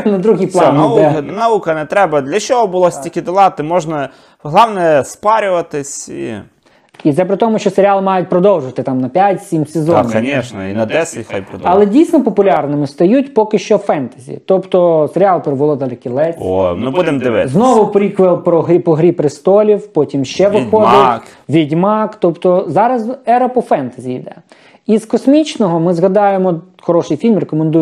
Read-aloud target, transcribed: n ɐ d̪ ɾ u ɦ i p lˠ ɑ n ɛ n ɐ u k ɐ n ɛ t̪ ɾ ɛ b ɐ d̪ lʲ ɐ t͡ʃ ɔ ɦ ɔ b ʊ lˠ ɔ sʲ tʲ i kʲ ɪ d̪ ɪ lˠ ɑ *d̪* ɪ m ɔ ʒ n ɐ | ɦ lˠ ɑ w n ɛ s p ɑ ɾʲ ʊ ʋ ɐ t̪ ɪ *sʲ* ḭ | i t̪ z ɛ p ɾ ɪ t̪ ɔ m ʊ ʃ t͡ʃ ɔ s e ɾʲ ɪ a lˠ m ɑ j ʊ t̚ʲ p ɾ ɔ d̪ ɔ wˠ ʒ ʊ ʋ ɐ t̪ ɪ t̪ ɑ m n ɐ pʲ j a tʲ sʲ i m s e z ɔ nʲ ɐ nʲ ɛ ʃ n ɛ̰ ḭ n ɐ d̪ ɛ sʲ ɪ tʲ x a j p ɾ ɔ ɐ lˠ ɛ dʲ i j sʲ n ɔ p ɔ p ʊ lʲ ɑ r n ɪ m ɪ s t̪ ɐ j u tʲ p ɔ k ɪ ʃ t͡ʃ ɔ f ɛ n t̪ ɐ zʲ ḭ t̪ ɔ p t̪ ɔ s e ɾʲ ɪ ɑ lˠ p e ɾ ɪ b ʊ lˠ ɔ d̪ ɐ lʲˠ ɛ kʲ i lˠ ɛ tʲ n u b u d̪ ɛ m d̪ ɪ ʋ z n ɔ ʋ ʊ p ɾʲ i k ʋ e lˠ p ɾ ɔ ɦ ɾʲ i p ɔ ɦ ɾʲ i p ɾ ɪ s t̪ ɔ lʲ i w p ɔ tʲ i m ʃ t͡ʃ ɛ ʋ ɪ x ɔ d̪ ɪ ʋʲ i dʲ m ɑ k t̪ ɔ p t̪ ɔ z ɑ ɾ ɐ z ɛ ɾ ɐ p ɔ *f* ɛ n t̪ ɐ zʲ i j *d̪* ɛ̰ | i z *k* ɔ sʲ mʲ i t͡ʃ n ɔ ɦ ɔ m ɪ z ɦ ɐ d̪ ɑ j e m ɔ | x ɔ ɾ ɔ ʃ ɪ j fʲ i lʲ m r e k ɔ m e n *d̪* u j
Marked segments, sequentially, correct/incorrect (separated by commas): incorrect, correct, correct, correct, correct, correct